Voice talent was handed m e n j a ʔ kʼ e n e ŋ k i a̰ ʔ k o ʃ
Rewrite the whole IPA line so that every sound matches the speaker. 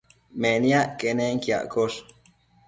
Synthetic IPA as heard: m e n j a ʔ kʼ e n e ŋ k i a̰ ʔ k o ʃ